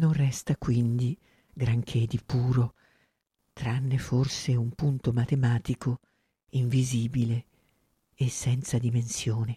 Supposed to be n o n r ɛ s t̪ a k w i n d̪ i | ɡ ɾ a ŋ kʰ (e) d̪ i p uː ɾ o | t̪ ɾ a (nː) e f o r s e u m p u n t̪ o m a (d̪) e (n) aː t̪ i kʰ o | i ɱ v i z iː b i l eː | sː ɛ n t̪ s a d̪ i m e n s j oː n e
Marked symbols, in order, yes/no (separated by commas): yes, yes, no, no